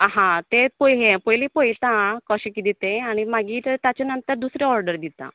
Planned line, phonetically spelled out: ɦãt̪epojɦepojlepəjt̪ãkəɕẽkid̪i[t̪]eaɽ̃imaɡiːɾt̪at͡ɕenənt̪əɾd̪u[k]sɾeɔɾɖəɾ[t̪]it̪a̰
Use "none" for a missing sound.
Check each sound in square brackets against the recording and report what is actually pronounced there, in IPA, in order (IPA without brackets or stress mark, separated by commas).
t̪, none, d̪